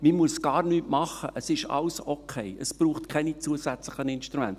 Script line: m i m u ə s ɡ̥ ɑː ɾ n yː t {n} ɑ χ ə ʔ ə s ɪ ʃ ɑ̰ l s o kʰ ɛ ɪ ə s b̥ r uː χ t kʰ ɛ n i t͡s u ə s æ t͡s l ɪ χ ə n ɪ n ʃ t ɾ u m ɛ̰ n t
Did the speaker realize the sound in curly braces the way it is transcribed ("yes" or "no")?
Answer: no